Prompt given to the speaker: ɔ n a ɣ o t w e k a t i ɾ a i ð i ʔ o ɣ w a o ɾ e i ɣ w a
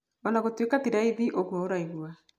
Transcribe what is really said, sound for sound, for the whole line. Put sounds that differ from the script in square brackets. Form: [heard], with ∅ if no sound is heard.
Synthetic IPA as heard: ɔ n a ɣ o t w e k a t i ɾ a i ð i ʔ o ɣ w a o ɾ [a] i ɣ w a